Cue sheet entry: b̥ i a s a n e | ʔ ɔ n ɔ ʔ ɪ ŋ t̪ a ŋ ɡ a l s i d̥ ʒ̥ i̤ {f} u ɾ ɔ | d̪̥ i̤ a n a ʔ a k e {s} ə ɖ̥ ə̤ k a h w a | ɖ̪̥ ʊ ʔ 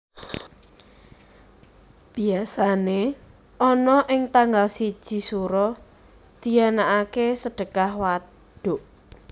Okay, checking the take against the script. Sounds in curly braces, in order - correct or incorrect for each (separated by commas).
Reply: incorrect, correct